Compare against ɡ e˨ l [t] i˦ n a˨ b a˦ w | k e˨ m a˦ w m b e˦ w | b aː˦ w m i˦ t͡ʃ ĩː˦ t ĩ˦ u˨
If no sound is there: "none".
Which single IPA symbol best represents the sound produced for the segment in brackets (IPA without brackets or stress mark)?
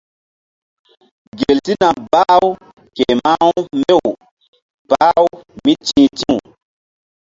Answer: t